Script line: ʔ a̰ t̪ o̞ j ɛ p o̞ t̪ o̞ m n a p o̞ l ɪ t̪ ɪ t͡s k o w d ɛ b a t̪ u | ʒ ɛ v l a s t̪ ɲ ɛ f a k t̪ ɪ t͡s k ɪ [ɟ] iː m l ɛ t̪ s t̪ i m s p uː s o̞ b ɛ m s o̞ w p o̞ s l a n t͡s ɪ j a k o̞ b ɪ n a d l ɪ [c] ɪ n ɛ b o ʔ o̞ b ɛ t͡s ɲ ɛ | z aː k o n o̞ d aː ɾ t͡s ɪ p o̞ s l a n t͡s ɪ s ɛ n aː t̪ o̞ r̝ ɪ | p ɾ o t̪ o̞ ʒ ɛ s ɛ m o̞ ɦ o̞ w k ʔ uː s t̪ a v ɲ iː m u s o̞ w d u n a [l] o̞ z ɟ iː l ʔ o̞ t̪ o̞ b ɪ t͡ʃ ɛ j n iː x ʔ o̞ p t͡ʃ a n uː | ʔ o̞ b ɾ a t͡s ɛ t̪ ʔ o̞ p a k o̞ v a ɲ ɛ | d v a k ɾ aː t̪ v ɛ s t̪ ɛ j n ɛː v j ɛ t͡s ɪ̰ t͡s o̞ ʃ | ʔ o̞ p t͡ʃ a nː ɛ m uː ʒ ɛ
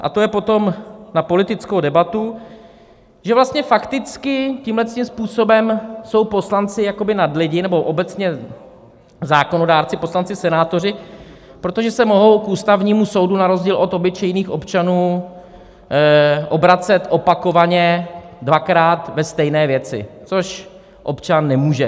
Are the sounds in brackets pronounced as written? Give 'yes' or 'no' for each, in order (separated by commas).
no, no, no